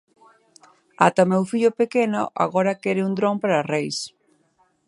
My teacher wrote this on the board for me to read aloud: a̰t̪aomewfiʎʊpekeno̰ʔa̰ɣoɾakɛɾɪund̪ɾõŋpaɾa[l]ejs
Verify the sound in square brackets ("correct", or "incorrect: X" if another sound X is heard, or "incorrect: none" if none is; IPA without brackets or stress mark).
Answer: incorrect: r